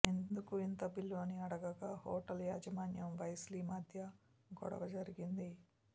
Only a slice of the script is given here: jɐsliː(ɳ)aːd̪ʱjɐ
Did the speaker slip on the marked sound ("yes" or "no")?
yes